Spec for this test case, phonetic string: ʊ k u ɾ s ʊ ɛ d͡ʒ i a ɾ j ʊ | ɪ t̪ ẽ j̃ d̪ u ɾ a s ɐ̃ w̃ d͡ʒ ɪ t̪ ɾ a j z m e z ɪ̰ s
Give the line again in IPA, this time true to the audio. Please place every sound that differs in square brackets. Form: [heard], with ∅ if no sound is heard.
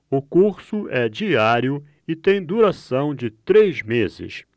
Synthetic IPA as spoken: ʊ k u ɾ s ʊ ɛ d͡ʒ i a ɾ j ʊ | ɪ t̪ ẽ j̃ d̪ u ɾ a s ɐ̃ w̃ d͡ʒ ɪ t̪ ɾ [e] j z m e z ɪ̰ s